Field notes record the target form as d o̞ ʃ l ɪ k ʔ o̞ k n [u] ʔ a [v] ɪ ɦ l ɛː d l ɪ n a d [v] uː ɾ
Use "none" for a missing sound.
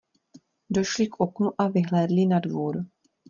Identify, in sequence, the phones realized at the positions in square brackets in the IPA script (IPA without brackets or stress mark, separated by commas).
u, v, v